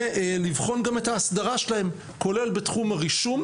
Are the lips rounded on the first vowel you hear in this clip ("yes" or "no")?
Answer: no